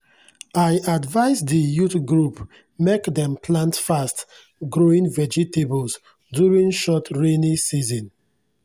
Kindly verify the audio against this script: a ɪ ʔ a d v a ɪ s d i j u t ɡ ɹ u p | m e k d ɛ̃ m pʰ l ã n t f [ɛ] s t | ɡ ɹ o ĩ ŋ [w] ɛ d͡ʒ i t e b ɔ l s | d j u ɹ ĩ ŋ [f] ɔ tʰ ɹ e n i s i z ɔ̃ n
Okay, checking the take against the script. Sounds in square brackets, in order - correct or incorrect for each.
incorrect: a, incorrect: v, incorrect: ʃ

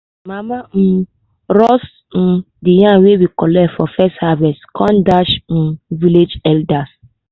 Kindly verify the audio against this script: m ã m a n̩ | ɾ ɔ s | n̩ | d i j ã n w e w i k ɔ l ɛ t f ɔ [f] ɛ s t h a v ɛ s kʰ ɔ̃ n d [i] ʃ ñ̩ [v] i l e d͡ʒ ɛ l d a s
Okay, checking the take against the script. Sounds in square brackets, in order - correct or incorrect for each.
correct, incorrect: a, correct

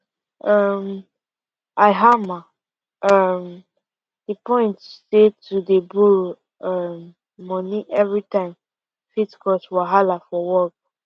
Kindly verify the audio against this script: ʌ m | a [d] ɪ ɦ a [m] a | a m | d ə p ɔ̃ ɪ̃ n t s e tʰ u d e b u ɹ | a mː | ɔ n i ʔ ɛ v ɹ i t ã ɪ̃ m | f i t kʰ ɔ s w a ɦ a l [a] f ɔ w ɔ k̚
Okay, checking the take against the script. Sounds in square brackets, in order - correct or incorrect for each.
incorrect: none, correct, correct

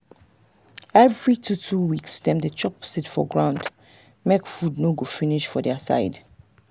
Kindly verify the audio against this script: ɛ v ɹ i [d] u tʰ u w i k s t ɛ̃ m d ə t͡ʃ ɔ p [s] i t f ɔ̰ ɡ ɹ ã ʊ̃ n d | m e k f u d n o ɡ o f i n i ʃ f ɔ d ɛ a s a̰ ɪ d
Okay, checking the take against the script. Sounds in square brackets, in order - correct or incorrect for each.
incorrect: t, correct

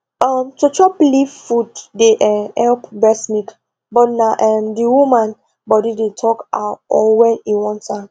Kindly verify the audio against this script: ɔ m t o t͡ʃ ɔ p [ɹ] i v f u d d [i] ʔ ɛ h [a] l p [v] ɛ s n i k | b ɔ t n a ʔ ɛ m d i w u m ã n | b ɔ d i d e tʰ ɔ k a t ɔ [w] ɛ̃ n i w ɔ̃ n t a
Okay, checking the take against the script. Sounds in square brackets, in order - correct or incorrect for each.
incorrect: l, incorrect: e, incorrect: ɛ, incorrect: b, correct

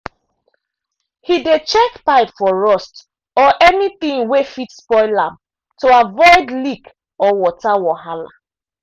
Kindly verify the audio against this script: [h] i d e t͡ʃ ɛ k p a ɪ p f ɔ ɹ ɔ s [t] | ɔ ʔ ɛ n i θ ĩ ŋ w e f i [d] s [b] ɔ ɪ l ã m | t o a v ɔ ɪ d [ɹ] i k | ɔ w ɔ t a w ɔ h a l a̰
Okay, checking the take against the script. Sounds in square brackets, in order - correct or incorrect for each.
correct, correct, incorrect: t, incorrect: p, incorrect: l

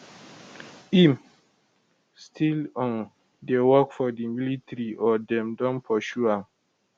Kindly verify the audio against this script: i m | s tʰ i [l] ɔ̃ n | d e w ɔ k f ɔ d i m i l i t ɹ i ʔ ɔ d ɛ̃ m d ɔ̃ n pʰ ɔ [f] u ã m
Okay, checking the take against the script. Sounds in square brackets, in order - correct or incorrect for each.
correct, incorrect: ʃ

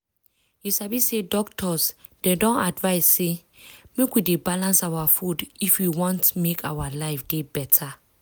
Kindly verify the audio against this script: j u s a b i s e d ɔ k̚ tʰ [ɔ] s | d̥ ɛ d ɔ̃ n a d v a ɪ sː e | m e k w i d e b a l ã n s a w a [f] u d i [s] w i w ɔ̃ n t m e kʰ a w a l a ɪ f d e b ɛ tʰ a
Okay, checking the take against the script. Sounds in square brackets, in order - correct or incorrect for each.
correct, correct, incorrect: f

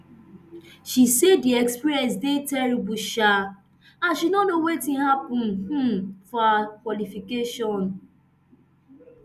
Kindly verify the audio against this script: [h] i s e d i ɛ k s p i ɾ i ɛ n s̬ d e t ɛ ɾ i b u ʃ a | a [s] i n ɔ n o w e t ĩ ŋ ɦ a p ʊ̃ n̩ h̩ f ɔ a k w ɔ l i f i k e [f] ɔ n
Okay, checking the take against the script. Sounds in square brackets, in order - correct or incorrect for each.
incorrect: ʃ, incorrect: ʃ, incorrect: ʃ

